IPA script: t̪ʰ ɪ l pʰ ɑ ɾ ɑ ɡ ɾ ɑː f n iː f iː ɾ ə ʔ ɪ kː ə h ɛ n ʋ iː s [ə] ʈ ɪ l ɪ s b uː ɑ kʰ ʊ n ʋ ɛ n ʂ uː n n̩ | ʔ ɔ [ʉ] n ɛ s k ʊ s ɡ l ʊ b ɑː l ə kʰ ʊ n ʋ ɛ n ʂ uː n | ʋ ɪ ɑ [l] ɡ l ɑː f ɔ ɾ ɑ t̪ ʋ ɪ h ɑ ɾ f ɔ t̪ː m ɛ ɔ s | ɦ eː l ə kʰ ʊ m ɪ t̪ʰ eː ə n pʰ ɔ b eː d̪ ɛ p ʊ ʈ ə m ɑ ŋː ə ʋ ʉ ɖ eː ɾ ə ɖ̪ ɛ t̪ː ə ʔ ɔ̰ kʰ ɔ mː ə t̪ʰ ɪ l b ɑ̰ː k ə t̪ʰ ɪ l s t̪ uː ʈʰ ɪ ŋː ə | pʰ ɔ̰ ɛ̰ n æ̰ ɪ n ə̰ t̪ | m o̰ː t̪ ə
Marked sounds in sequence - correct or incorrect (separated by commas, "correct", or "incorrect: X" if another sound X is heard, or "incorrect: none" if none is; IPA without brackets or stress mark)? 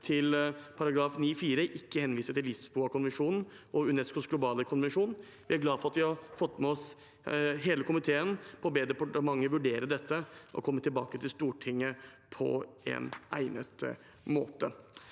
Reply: correct, correct, incorrect: ɾ